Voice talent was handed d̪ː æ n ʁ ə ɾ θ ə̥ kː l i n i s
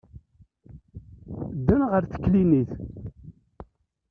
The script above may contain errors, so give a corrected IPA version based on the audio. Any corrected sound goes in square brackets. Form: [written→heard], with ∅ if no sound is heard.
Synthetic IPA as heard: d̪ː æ n ʁ ə ɾ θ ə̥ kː l i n i [s→θ]